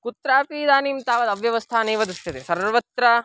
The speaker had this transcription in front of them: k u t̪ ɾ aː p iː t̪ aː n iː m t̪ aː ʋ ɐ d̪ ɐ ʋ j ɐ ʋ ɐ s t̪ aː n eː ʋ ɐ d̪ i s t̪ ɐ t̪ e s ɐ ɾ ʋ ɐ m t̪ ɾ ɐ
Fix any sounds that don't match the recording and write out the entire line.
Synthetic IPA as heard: k u t̪ ɾ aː p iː d̪ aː n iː m t̪ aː ʋ ɐ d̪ ɐ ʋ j ɐ ʋ ɐ s t̪ʰ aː n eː ʋ ɐ d̪ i s t̪ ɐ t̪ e s ɐ ɾ ʋ ɐ t̪ ɾ ɐ